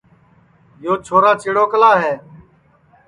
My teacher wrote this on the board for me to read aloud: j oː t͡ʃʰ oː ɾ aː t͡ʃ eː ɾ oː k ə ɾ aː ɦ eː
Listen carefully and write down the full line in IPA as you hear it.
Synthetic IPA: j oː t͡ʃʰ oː ɾ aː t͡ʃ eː ɽ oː k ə l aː ɦ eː